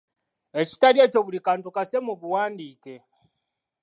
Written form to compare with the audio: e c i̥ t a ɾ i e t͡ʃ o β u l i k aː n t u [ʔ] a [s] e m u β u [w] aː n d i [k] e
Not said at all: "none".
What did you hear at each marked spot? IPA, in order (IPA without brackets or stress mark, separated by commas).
k, s, w, k